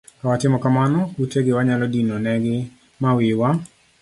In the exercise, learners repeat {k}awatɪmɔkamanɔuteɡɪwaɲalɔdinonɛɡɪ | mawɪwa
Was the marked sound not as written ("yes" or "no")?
no